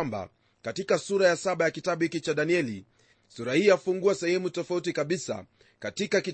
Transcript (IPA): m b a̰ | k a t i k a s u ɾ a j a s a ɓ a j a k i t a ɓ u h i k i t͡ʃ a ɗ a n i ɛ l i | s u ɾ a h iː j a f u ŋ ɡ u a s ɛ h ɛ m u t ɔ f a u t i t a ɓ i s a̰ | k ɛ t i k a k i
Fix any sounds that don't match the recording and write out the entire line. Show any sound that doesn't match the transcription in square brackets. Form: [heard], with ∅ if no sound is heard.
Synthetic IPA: m b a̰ | k a t i k a s u ɾ a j a s a ɓ a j a k i t a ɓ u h i k i t͡ʃ a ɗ a n i ɛ l i | s u ɾ a h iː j a f u ŋ ɡ u a s ɛ h ɛ m u t ɔ f a u t i [k] a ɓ i s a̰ | k [a] t i k a k i